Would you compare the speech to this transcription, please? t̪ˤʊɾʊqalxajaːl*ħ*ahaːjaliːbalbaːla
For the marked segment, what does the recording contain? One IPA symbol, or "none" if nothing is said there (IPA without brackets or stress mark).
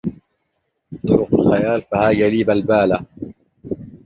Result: f